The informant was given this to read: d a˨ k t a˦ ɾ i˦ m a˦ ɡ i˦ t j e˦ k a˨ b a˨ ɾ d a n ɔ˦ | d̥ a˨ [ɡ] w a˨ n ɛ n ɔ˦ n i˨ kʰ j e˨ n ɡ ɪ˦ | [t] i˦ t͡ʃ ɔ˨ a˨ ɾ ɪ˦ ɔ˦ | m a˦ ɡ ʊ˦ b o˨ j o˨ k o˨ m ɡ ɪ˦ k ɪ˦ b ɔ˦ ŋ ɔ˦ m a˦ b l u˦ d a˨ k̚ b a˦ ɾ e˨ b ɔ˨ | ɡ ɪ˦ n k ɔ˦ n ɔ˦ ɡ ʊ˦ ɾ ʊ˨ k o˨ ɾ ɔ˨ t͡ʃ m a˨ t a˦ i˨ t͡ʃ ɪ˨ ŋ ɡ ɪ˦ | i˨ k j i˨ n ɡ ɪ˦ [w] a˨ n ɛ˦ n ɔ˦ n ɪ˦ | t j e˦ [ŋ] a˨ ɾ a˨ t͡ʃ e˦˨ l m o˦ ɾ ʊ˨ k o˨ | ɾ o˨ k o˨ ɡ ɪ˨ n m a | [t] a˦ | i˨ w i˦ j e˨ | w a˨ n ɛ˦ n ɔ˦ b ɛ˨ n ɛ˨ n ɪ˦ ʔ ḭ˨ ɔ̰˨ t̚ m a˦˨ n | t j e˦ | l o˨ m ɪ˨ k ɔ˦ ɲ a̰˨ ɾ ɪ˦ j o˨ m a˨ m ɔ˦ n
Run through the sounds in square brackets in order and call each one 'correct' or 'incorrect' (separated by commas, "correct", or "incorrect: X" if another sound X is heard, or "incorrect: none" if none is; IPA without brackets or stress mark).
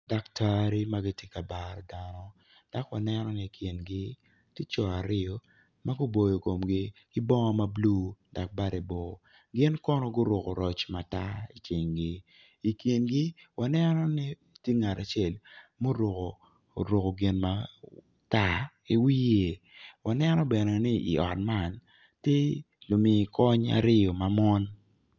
incorrect: k, correct, correct, correct, correct